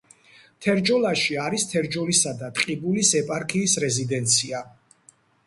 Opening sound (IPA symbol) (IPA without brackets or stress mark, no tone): t̪ʰ